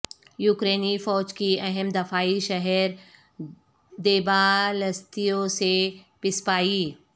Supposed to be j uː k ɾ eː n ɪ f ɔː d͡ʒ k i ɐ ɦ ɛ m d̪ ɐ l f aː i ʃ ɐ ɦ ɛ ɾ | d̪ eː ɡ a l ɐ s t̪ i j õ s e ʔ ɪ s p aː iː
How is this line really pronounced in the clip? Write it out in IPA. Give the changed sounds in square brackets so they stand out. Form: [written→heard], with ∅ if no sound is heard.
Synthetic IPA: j uː k ɾ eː n [ɪ→i] f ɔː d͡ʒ k i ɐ ɦ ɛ m d̪ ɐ [l→∅] f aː i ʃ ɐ ɦ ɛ ɾ | d̪ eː [ɡ→b] a l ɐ s t̪ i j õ s e [ʔ→p] ɪ s p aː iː